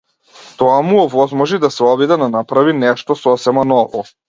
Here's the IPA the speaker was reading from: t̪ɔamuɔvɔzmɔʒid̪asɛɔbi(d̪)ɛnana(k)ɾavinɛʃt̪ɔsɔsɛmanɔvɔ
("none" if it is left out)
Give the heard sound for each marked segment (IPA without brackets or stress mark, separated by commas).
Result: d̪, p